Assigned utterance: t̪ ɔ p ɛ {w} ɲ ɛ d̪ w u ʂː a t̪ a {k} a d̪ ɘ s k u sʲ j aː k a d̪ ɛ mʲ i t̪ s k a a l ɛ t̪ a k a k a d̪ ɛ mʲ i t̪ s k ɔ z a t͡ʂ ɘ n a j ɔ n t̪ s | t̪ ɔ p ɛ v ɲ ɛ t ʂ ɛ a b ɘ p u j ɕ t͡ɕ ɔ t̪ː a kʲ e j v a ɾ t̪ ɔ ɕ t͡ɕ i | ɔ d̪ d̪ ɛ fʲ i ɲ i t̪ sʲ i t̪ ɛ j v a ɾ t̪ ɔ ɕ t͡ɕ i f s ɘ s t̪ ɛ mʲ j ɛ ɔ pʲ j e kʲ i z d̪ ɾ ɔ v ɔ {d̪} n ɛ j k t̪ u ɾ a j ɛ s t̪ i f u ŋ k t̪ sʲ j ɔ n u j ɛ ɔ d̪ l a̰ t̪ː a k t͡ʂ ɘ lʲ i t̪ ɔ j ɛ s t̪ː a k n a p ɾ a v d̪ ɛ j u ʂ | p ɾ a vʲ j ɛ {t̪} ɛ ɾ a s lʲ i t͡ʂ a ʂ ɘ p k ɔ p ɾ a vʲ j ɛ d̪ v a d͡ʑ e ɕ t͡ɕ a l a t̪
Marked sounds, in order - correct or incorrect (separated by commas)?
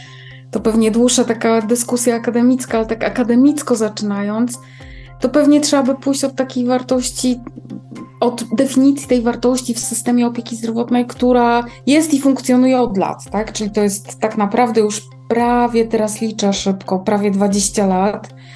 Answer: incorrect, correct, incorrect, correct